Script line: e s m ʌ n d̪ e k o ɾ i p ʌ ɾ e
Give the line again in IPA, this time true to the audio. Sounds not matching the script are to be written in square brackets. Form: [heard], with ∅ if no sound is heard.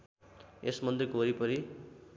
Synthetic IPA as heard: e s m ʌ n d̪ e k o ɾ i p ʌ ɾ [i]